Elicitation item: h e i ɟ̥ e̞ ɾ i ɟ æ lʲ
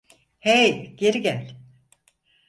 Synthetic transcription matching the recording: h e j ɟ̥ e̞ ɾ i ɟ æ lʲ